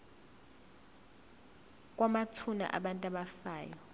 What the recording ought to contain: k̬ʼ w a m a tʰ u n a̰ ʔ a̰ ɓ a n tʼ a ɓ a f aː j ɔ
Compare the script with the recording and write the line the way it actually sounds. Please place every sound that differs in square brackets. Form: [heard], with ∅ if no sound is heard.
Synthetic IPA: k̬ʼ w a m a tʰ u n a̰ ʔ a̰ ɓ a n tʼ a ɓ a f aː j ɔ